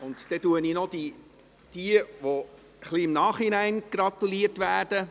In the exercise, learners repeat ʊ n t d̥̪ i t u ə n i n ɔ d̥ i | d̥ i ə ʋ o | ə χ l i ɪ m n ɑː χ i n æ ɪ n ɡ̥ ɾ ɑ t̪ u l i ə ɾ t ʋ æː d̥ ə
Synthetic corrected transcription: ʊ n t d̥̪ ɛ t u ə n i n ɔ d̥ i | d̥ i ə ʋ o | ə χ l i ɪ m n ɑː χ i n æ ɪ n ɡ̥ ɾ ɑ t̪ u l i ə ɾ t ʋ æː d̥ ə

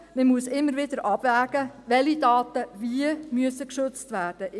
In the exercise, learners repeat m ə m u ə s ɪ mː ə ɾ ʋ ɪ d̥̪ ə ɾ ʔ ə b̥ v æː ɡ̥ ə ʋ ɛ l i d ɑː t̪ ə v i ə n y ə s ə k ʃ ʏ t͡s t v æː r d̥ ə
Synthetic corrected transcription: m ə m u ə s ɪ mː ə ɾ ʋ ɪ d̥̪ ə ɾ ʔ ɑ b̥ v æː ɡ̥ ə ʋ ɛ l i d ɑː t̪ ə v i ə m y ə s ə k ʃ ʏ t͡s t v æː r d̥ ə

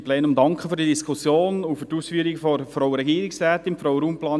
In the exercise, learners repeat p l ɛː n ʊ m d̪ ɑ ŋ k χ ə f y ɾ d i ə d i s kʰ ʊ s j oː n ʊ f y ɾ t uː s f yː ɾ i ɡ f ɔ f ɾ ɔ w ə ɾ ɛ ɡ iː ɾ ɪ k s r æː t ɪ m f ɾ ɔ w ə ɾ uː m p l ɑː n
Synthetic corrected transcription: p l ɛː n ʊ m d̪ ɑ ŋ k χ ə f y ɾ d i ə d i s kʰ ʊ s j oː n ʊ f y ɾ t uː s f yː ɾ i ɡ f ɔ f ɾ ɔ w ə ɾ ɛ ɡ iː ɾ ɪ k s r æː t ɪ m f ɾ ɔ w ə ɾ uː m p l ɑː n

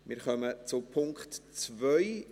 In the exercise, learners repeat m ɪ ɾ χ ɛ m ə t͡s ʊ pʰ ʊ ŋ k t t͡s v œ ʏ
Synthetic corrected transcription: m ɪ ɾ χ œ m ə t͡s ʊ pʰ ʊ ŋ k t t͡s v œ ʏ

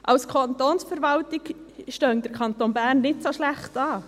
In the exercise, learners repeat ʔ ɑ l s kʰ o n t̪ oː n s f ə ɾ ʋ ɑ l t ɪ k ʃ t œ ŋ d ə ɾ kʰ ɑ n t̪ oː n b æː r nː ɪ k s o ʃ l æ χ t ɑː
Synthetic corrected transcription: ʔ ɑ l s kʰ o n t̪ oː n s f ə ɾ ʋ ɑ l t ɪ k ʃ t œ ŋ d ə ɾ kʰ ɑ n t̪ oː n b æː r nː ɪ t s o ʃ l æ χ t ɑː

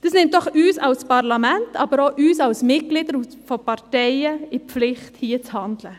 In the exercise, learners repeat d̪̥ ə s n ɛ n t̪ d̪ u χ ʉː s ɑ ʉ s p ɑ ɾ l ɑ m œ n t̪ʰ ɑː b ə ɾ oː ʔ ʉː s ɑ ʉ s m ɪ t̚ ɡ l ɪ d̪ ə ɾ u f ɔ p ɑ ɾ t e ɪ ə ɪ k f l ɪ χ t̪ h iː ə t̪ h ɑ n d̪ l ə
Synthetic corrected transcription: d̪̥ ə s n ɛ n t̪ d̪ ɔ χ ʉː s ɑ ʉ s p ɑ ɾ l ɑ m ɛ n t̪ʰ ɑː b ə ɾ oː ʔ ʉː s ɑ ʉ s m ɪ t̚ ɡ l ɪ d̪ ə ɾ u f ɔ p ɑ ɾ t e ɪ ə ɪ p f l ɪ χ t̪ h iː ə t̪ h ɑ n d̪ l ə

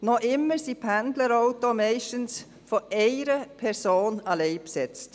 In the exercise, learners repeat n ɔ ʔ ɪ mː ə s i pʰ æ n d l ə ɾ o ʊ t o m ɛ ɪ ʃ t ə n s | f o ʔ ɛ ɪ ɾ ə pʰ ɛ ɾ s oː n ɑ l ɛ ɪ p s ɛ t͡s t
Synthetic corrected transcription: n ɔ ʔ ɪ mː ə s i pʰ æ n d l ə ɾ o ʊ t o m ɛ ɪ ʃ t ə n s | f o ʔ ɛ ɪ ɾ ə pʰ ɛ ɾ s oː n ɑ l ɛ ɪ p s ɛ t͡s t

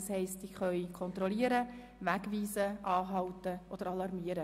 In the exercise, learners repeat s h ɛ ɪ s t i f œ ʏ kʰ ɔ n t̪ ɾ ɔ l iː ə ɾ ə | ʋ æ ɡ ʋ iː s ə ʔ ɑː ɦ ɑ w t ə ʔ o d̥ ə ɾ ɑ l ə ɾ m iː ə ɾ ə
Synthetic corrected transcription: s h ɛ ɪ s t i χ œ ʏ kʰ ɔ n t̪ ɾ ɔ l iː ə ɾ ə | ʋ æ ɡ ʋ iː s ə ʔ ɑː ɦ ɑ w t ə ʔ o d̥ ə ɾ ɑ l ɑ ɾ m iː ə ɾ ə

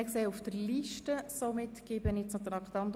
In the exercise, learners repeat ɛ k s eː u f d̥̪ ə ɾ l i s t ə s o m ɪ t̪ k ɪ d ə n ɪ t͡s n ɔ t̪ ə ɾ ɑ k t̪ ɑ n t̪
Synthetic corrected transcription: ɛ k s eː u f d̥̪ ə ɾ l i ʃ t ə s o m ɪ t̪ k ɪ b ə n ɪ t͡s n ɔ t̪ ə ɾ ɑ k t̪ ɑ n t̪

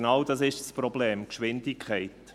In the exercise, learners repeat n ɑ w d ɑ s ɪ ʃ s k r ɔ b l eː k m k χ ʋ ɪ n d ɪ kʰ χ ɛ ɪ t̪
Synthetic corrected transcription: n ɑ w d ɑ s ɪ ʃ s p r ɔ b l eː m k ʃ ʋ ɪ n d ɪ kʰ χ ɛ ɪ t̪

